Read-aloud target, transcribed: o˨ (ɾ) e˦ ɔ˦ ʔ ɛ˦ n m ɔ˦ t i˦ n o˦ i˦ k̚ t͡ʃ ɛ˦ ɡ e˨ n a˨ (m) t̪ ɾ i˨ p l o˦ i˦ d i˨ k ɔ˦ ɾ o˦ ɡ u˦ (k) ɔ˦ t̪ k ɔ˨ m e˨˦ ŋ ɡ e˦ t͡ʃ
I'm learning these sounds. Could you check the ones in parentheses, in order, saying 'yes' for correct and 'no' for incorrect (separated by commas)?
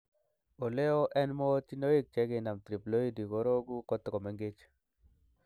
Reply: no, yes, yes